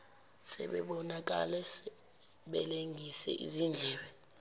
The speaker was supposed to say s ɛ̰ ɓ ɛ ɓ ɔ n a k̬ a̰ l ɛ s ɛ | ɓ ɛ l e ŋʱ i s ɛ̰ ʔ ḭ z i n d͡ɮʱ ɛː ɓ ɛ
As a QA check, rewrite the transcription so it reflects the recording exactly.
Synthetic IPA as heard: s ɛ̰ ɓ ɛ ɓ ɔ n a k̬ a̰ l ɛ s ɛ | ɓ ɛ l e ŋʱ i s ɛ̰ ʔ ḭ z i n d͡ɮʱ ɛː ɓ ɛ